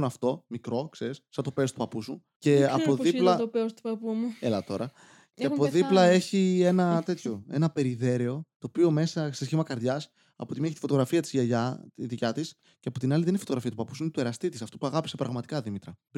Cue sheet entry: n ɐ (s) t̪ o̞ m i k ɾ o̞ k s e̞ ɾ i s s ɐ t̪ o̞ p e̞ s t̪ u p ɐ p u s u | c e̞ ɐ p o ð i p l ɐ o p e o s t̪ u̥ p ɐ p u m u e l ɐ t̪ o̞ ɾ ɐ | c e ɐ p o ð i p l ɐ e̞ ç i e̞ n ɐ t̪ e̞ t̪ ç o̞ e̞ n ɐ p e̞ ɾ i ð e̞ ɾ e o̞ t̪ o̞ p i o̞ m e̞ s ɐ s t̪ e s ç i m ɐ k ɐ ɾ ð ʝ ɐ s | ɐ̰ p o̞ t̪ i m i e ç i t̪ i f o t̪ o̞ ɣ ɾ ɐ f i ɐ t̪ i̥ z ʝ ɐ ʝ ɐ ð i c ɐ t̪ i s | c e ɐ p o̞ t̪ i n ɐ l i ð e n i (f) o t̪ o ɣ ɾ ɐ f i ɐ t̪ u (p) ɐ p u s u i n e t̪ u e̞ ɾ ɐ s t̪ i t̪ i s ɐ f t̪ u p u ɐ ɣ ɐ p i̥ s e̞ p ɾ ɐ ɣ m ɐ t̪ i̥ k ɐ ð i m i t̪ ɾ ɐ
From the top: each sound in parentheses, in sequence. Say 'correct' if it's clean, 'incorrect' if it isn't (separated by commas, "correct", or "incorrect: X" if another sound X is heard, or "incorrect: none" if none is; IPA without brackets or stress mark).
incorrect: f, correct, correct